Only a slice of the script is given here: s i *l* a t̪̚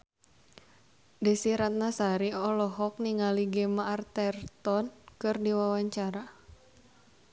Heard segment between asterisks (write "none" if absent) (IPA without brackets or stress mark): ɾ